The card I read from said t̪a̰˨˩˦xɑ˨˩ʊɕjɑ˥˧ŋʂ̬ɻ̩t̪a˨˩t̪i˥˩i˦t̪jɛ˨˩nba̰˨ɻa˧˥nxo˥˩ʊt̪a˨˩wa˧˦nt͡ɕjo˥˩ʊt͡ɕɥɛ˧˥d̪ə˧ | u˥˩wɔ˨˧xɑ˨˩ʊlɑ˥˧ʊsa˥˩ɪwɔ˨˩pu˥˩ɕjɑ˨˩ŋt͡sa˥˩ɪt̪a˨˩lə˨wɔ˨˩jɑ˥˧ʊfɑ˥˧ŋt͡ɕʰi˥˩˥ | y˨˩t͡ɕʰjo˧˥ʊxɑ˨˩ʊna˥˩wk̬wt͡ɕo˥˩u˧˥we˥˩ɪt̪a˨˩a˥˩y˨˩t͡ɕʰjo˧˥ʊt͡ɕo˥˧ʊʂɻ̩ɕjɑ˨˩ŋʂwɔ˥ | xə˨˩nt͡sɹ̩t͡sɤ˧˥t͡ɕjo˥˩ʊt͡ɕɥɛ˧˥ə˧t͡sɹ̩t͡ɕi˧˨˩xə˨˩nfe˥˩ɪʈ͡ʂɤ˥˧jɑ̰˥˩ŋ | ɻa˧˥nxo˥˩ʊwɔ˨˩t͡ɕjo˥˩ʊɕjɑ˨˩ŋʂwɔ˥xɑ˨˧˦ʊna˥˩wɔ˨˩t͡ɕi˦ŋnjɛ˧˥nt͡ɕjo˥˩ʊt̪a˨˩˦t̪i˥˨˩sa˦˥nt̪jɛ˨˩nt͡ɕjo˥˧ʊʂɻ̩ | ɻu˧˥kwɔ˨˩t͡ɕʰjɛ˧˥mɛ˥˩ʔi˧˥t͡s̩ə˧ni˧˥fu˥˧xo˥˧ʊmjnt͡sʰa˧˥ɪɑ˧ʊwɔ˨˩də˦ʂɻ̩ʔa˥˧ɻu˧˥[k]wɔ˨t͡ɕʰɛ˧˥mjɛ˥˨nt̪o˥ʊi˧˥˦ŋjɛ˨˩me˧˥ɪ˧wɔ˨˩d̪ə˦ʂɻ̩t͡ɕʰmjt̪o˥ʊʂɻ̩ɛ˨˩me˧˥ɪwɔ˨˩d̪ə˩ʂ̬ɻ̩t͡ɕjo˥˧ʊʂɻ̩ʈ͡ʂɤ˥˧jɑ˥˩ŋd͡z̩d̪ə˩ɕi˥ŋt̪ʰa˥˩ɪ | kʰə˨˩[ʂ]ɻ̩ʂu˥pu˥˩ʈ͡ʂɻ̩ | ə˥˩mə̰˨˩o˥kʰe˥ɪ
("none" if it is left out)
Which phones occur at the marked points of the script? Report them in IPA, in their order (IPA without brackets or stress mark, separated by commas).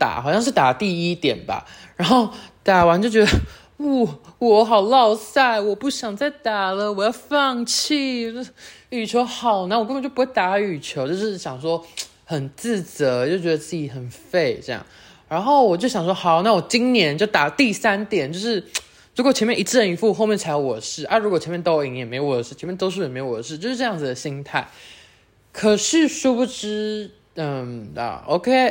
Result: k, ʂ